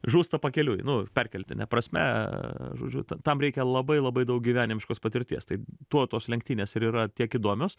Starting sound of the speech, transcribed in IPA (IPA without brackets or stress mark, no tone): ʒ